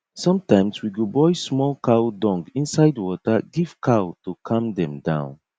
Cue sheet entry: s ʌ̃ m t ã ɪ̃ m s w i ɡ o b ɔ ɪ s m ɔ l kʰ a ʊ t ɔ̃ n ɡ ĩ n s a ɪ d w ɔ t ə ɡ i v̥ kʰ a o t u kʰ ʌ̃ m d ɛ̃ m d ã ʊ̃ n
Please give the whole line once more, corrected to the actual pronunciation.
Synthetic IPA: s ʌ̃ m t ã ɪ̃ m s w i ɡ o b ɔ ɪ s m ɔ l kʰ a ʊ d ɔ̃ ŋ ɡ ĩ n s a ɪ d w ɔ t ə ɡ i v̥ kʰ a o t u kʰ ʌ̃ m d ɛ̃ m d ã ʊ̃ n